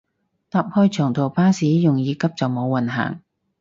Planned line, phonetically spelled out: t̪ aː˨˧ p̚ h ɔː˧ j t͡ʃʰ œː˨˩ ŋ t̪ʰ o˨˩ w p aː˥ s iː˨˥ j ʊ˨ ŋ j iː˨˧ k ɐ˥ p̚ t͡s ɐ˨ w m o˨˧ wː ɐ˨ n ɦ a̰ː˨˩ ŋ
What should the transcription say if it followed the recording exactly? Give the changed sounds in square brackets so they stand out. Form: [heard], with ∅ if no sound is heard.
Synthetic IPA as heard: t̪ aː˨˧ p̚ h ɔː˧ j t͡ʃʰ œː˨˩ ŋ t̪ʰ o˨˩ w p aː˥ s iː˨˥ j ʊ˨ ŋ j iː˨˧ k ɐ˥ p̚ t͡s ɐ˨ w m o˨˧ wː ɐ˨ n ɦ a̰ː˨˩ ŋ